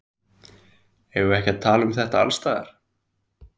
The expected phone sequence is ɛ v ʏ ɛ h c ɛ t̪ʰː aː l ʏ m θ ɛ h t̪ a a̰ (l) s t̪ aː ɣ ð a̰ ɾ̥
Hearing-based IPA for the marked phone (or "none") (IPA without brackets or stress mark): l